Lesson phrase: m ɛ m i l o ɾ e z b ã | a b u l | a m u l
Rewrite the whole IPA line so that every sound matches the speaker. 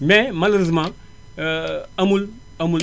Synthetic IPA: m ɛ m a l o ɾ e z m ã | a m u l | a m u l